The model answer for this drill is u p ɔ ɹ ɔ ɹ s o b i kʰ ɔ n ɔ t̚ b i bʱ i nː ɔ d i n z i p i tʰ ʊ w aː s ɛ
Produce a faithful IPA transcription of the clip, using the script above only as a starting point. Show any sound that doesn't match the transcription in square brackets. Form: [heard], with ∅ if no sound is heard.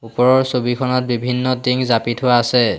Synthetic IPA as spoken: u p ɔ ɹ ɔ ɹ s o b i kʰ ɔ n ɔ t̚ b i bʱ i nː ɔ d i [ŋ] z [a] p i tʰ ʊ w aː s ɛ